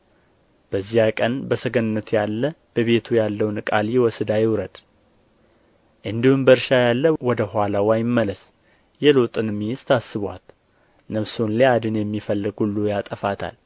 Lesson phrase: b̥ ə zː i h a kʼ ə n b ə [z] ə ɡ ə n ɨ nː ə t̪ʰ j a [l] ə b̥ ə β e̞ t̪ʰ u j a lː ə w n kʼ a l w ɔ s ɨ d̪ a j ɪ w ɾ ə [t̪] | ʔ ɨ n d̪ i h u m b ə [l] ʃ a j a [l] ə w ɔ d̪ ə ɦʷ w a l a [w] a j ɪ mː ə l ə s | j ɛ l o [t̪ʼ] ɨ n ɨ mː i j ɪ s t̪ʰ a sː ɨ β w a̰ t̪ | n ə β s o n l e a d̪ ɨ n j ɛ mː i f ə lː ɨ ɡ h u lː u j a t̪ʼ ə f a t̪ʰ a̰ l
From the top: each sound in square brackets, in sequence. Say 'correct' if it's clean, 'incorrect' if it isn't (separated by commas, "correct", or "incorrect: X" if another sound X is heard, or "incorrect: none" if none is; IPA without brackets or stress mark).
incorrect: s, incorrect: lː, incorrect: d̪, incorrect: ɾ, incorrect: lː, correct, correct